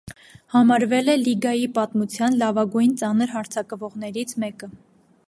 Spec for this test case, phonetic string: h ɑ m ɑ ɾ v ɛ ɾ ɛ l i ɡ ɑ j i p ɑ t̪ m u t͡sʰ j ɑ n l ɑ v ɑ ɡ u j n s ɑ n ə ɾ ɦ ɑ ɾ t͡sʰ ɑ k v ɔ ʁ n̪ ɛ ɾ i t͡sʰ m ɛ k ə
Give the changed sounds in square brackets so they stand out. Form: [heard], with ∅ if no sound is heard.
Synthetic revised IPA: h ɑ m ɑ ɾ v ɛ [l] ɛ l i ɡ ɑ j i p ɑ t̪ m u t͡sʰ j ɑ n l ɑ v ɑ ɡ u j n [t͡s] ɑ n ə ɾ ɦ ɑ ɾ t͡sʰ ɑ k v ɔ ʁ n̪ ɛ ɾ i t͡sʰ m ɛ k ə